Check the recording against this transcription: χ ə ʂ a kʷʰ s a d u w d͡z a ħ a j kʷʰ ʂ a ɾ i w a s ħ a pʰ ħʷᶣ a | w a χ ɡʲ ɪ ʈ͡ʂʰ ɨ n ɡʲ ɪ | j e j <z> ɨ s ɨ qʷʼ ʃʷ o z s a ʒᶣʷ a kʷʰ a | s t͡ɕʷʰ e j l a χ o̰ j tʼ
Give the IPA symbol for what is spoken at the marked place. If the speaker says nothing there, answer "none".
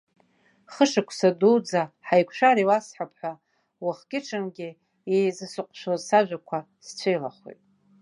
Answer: z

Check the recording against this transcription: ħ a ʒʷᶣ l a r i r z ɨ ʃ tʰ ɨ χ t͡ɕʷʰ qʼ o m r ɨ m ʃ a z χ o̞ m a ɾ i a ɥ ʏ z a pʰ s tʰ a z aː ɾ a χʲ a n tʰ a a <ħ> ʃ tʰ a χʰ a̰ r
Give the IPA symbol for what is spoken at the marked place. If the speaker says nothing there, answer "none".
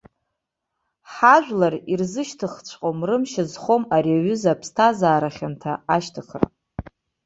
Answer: none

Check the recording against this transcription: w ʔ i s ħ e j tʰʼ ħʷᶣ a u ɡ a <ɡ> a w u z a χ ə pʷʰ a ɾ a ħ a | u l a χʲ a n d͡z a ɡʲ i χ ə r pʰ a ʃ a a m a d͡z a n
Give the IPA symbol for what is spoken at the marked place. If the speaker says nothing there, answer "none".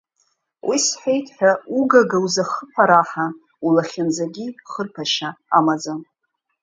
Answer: ɡ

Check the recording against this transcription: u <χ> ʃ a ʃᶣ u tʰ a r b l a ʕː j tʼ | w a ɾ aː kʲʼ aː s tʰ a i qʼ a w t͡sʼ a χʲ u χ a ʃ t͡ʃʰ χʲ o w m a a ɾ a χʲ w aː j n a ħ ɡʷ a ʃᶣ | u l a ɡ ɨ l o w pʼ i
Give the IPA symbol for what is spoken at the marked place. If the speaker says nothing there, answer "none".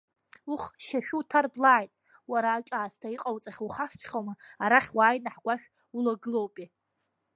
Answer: χ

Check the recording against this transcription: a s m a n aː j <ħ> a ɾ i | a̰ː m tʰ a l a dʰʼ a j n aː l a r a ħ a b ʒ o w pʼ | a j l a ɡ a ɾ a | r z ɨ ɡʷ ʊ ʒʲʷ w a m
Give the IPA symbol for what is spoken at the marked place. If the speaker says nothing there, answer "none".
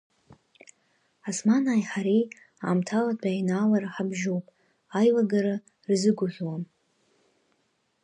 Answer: ħ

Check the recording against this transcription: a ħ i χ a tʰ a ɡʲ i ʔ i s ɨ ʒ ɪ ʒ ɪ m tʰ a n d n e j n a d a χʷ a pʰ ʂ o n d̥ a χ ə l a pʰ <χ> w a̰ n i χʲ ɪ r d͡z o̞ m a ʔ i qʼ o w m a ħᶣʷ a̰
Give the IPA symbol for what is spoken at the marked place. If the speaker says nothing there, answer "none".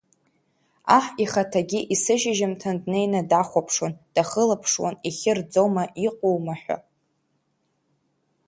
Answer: ʂ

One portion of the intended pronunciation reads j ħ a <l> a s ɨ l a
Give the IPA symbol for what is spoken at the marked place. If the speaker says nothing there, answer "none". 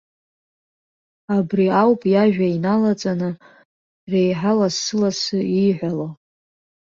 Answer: l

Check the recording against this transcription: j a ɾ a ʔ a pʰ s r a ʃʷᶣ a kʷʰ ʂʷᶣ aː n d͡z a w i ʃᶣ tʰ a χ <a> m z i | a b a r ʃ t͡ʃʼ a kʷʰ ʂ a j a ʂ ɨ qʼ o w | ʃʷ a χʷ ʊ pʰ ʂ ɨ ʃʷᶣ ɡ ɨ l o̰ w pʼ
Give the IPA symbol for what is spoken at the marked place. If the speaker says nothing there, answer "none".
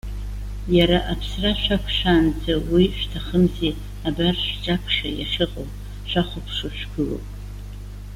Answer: ə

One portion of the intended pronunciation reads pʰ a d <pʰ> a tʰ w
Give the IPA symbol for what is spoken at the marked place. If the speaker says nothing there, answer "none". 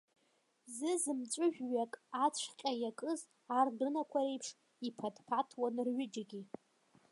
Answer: pʰ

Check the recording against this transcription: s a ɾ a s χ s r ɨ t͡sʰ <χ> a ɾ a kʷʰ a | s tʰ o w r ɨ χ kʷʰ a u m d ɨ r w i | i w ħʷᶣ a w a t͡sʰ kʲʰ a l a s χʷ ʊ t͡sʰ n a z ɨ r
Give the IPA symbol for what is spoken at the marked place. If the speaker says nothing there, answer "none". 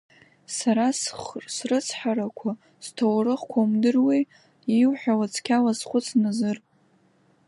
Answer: ħ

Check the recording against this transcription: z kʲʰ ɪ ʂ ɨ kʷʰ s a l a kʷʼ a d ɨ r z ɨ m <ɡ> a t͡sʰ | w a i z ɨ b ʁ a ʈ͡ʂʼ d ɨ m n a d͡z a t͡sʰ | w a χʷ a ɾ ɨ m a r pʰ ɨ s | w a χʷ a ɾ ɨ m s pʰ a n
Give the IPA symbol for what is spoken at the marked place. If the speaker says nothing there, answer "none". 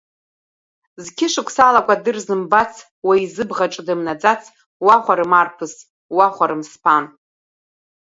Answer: b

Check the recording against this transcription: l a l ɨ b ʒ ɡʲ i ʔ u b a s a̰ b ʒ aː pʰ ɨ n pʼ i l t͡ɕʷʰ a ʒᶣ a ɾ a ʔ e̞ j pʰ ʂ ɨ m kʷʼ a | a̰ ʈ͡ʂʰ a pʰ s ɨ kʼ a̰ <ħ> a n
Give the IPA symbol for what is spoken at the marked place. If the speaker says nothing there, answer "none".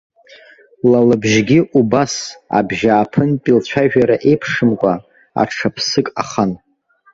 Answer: χ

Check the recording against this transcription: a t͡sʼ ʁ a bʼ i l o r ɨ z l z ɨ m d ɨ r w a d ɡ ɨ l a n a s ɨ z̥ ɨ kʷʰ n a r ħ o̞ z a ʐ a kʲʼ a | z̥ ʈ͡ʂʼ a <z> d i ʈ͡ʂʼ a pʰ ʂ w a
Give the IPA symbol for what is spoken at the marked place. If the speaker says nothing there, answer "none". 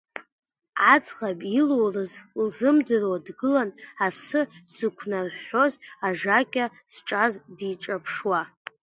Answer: z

